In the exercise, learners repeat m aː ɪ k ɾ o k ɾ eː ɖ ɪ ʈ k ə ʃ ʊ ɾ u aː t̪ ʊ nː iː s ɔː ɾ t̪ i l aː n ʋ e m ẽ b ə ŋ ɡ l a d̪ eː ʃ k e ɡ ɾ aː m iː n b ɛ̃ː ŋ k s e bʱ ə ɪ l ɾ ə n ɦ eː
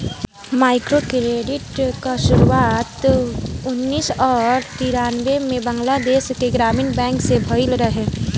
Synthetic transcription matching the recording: m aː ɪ k ɾ o k ɾ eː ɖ ɪ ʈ k a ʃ ʊ ɾ u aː t̪ ʊ nː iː s ɔː ɾ t̪ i ɾ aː n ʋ e m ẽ b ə ŋ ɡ l a d̪ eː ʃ k e ɡ ɾ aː m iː n b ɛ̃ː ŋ k s e bʱ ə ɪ l ɾ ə ɦ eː